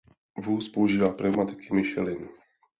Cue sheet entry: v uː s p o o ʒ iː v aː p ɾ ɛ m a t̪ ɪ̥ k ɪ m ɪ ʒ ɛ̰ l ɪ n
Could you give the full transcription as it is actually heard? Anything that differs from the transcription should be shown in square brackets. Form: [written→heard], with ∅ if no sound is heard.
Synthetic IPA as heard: v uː s p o [o→u] ʒ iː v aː p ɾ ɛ m a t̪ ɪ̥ k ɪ m ɪ [ʒ→ʃ] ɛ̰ l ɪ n